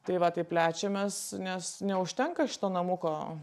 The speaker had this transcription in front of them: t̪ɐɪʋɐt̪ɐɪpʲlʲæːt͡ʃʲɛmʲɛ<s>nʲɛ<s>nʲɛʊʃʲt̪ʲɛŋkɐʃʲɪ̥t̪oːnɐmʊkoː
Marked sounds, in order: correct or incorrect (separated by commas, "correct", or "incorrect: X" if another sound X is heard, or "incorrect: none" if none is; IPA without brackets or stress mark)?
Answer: correct, correct